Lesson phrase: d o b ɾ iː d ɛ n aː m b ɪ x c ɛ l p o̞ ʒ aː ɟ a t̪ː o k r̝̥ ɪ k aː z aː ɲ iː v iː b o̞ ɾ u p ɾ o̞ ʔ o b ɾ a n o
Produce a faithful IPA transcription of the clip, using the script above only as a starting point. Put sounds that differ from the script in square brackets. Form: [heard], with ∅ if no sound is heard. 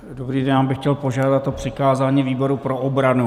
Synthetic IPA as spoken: d o b ɾ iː d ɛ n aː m b ɪ x c ɛ l p o̞ ʒ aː [d] a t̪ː o [p] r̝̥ ɪ k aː z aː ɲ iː v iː b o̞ ɾ u p ɾ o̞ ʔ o b ɾ a n [u]